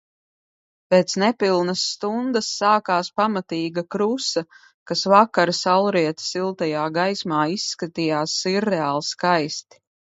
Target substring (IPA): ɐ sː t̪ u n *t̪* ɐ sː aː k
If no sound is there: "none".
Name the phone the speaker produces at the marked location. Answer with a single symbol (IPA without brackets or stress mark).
d̪